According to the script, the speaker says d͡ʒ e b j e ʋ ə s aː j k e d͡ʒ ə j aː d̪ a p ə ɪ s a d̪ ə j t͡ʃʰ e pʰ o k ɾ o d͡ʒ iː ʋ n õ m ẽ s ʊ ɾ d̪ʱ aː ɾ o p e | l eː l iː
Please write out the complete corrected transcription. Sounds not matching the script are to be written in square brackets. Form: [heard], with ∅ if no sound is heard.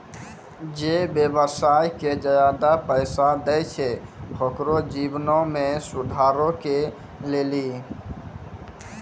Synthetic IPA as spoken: d͡ʒ e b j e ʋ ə s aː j k e d͡ʒ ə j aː d̪ a p ə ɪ s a d̪ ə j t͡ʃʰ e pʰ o k ɾ o d͡ʒ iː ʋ n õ m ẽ s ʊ [∅] d̪ʱ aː ɾ o [k] e | l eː l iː

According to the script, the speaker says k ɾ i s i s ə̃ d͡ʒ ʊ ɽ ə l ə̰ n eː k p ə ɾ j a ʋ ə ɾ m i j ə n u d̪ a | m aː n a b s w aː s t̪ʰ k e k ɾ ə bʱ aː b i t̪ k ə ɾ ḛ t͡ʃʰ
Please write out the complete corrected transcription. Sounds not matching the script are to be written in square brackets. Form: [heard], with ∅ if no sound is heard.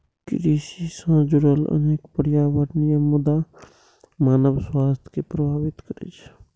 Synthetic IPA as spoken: k ɾ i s i s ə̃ d͡ʒ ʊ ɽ ə l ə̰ n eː k p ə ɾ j a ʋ ə ɾ [n] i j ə [m] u d̪ a | m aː n [ə] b s w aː s t̪ʰ k e [p] ɾ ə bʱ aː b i t̪ k ə ɾ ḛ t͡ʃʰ

